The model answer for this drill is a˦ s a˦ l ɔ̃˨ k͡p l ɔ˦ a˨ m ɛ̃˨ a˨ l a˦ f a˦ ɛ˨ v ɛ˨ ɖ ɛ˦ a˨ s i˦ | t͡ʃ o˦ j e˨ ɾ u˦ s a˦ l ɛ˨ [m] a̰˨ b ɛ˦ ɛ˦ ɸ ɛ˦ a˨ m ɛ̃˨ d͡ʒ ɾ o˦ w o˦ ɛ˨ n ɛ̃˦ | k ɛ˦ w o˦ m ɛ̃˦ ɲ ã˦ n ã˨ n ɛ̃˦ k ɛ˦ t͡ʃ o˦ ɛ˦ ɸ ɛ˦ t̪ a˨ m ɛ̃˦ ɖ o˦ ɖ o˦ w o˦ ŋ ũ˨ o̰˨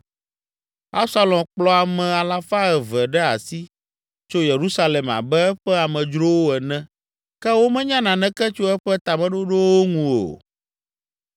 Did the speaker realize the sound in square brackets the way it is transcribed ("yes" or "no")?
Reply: yes